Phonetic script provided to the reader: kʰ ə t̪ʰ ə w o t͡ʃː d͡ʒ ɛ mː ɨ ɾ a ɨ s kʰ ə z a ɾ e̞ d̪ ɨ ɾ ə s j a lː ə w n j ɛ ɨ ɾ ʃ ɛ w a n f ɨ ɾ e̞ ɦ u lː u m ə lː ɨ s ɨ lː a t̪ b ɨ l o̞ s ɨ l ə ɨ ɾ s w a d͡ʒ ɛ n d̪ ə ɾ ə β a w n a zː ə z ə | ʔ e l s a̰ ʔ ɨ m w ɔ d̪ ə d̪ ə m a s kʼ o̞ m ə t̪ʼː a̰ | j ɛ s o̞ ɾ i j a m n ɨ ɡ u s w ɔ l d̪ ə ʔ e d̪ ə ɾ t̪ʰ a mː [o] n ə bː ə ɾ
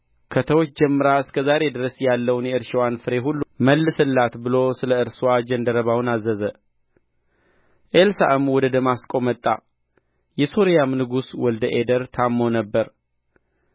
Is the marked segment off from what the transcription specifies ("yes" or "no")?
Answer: no